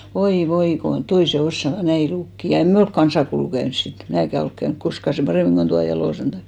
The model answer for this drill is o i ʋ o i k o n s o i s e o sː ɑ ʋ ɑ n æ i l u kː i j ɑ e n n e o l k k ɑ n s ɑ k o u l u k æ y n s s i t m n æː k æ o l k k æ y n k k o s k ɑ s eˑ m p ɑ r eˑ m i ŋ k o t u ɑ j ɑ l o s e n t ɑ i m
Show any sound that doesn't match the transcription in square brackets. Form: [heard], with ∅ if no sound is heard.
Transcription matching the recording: o i ʋ o i k o n [t] o i s e o sː ɑ ʋ ɑ n æ i l u kː i j ɑ e n [m] e o l k k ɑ n s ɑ k o u l u k æ y n s s i t m n æː k æ o l k k æ y n k k o s k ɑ s eˑ m p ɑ r eˑ m i ŋ k o t u ɑ j ɑ l o s e n t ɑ i m

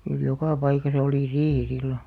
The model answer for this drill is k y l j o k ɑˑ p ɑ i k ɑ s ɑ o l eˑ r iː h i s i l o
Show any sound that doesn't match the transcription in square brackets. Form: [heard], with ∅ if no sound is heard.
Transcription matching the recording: k y l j o k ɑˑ p ɑ i k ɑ s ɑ o l [iˑ] r iː h i s i [lː] o

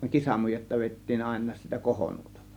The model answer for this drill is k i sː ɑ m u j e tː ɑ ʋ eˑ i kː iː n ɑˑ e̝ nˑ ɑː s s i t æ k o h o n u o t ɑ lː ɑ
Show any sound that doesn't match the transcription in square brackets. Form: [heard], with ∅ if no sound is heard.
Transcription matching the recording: k i [s] ɑ m u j e tː ɑ ʋ eˑ i [tː] iː n ɑˑ e̝ nˑ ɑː s s i t æ k o h o n u o t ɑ lː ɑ

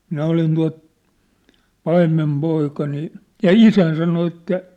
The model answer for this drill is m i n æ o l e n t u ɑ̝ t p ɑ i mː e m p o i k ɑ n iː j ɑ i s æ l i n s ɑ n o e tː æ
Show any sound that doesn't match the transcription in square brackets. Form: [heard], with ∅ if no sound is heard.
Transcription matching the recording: m i n æ o l [i] n t u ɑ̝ t p ɑ i mː e m p o i k ɑ n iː j ɑ i s æ [∅] i n s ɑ n o e tː æ

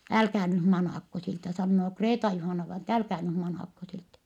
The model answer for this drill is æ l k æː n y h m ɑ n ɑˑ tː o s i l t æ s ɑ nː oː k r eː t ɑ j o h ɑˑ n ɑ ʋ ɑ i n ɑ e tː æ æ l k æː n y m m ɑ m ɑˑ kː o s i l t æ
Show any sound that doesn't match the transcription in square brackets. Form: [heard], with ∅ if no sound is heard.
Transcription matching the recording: æ l k æː n y h m ɑ n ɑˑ [kː] o s i l t æ s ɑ nː oː k r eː t ɑ j [u] h ɑˑ n ɑ ʋ ɑ i n ɑ e tː æ æ l k æː n y m m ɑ [n] ɑˑ kː o s i l t æ

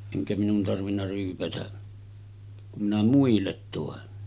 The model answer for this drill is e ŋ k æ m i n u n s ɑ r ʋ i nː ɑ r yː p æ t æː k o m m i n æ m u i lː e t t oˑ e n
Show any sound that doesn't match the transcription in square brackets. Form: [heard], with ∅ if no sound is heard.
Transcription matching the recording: e ŋ k æ m i n u n [t] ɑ r ʋ i nː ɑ r yː p æ t [æ] k [u] m m i n æ m u i lː e t t oˑ e n

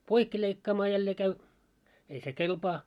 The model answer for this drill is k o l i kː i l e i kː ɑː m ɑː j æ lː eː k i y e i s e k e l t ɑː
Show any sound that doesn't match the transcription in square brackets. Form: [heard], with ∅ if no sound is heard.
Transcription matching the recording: [p] o [∅] i kː i l e i kː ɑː m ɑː j æ lː eː k [æ] y e i s e k e l [p] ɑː

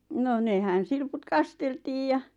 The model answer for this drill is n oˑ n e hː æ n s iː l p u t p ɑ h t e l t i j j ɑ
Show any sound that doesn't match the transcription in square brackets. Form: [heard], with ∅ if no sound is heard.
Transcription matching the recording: n oˑ n e [h] æ n s [i] l p u t [k] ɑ [s] t e l t [iː] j j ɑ

